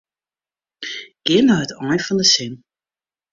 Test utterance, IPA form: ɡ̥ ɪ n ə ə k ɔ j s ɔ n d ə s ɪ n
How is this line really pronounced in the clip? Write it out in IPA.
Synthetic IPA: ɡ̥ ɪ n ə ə t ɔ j f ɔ n d ə s ɪ n